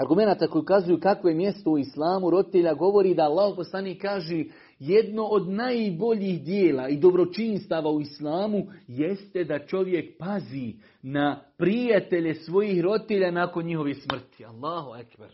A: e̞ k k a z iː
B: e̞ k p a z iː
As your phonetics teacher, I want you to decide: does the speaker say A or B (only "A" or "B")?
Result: B